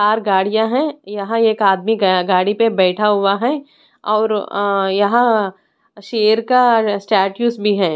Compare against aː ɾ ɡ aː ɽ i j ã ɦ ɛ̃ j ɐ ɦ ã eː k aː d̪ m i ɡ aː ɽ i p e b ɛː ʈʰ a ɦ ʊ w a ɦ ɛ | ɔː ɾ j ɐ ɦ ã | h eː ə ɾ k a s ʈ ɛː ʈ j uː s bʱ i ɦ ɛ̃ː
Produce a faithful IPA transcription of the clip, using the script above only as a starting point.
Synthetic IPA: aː ɾ ɡ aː ɽ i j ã ɦ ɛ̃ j ɐ ɦ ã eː k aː d̪ m i ɡ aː ɽ i p e b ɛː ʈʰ a ɦ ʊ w a ɦ ɛ | ɔː ɾ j ɐ ɦ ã | ʃ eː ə ɾ k a s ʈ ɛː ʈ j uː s bʱ i ɦ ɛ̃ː